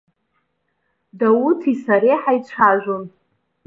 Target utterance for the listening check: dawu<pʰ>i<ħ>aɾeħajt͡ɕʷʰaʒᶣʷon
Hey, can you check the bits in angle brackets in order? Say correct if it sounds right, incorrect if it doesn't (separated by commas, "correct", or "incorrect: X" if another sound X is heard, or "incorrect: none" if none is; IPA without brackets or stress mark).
incorrect: tʰ, incorrect: s